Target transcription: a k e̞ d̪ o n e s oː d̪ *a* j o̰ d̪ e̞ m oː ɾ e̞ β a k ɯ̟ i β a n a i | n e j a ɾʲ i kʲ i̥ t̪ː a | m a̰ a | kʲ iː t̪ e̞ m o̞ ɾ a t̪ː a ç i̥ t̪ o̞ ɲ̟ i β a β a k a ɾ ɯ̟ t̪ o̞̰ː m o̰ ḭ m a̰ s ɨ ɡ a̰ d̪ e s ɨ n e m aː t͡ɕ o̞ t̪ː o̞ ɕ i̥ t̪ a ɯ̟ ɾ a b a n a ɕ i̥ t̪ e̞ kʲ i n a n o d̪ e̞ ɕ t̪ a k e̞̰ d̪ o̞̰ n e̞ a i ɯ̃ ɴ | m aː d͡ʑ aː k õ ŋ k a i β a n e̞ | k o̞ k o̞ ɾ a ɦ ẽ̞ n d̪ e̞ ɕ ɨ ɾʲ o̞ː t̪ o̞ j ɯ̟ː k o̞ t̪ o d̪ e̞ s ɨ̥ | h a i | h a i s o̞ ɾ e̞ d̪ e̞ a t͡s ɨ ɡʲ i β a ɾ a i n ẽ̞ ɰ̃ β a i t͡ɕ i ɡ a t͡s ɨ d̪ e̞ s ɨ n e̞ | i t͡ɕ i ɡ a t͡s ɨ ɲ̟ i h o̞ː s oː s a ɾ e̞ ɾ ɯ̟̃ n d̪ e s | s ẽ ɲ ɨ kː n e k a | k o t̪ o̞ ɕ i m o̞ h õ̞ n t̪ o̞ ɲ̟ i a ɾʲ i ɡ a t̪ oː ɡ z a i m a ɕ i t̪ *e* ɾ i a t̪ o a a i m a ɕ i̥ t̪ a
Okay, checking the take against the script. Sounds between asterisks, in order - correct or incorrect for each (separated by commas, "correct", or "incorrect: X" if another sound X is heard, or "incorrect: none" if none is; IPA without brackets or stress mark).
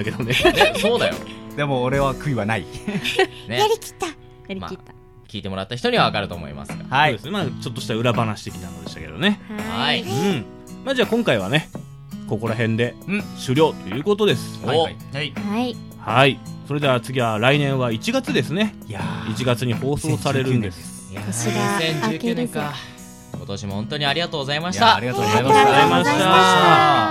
correct, incorrect: a